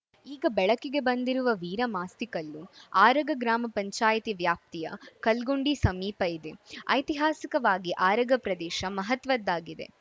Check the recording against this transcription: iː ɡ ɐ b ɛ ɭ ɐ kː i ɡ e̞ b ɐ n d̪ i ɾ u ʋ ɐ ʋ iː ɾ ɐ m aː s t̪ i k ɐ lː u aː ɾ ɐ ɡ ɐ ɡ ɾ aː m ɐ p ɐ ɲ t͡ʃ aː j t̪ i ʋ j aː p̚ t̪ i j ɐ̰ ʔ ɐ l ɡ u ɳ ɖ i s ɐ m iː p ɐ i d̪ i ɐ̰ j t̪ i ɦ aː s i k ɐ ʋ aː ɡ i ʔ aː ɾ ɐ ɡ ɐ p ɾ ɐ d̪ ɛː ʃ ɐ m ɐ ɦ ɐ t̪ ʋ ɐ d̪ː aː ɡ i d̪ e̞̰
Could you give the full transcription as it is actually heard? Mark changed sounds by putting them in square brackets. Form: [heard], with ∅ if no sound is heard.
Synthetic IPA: iː ɡ ɐ b ɛ ɭ ɐ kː i ɡ e̞ b ɐ n d̪ i ɾ u ʋ ɐ ʋ iː ɾ ɐ m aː s t̪ i k ɐ lː u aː ɾ ɐ ɡ ɐ ɡ ɾ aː m ɐ p ɐ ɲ t͡ʃ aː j t̪ i ʋ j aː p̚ t̪ i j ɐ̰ [k] ɐ l ɡ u ɳ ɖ i s ɐ m iː p ɐ i d̪ [e] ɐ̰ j t̪ i ɦ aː s i k ɐ ʋ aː ɡ i ʔ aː ɾ ɐ ɡ ɐ p ɾ ɐ d̪ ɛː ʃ ɐ m ɐ ɦ ɐ t̪ ʋ ɐ d̪ː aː ɡ i d̪ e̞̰